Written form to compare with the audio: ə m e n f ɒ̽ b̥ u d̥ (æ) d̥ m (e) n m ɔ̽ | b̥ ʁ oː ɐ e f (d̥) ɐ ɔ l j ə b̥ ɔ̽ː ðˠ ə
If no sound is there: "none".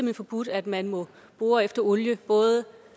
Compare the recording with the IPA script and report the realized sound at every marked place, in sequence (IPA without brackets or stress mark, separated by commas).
æ, æ, d̥